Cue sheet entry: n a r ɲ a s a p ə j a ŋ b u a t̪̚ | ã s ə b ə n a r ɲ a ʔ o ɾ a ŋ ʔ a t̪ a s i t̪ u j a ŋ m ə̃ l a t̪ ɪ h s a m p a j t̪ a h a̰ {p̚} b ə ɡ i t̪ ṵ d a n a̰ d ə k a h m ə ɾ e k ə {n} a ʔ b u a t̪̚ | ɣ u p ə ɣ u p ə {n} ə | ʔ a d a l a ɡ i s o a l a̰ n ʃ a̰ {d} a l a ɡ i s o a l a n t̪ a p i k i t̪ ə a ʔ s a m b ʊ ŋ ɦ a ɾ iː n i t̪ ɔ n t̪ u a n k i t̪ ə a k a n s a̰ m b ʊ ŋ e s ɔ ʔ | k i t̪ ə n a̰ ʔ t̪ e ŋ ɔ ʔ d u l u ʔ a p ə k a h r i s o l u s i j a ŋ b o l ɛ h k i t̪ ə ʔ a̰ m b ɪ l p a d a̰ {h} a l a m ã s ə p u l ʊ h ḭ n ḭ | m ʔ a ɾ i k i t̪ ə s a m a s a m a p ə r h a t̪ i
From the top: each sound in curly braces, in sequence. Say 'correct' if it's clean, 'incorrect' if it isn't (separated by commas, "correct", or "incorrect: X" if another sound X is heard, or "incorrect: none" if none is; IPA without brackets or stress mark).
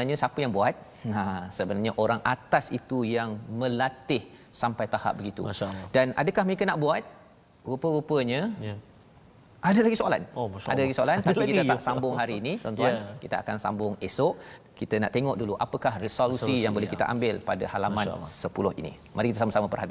correct, correct, incorrect: ɲ, correct, correct